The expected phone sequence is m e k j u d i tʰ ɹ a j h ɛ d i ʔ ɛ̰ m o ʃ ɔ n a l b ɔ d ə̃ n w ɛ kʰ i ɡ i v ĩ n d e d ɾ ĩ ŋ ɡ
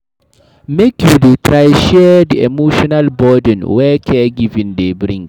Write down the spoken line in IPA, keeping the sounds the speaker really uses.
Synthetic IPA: m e k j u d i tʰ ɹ a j ʃ ɛ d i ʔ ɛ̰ m o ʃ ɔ n a l b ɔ d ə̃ n w ɛ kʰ ɛ ɡ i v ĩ n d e b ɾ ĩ ŋ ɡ